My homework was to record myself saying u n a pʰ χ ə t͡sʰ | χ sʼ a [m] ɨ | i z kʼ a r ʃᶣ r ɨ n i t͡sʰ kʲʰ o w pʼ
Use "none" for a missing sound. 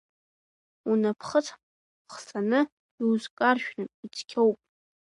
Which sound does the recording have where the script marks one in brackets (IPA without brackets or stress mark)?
n